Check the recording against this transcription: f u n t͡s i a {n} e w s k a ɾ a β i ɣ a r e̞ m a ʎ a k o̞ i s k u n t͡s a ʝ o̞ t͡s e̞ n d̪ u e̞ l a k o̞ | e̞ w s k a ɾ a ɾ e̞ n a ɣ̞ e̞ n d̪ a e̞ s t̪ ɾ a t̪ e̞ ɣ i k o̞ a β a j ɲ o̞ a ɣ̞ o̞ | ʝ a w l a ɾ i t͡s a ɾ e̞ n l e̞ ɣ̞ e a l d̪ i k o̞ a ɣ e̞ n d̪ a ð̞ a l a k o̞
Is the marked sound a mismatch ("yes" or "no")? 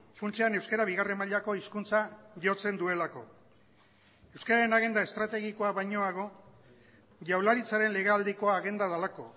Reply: no